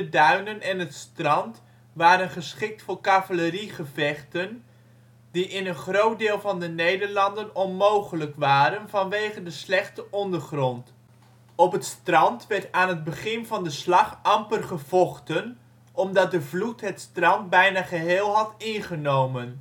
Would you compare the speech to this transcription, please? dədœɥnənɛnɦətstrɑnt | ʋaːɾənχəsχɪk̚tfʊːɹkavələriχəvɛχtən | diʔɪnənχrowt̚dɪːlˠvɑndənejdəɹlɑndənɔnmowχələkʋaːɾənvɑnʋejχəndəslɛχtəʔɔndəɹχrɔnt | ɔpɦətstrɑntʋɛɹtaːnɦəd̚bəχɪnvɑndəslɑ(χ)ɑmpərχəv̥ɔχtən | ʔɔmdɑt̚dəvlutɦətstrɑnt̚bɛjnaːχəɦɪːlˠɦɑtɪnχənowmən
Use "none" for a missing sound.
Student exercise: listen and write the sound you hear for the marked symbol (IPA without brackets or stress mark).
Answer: χ